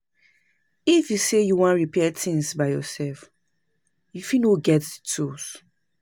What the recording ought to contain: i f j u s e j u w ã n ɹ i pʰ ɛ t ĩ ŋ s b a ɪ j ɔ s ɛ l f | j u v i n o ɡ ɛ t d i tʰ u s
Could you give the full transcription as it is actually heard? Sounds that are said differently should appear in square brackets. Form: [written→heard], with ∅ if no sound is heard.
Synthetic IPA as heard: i f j u s e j u w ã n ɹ i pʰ ɛ t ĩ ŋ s b a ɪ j ɔ s ɛ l f | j u [v→f] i n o ɡ ɛ t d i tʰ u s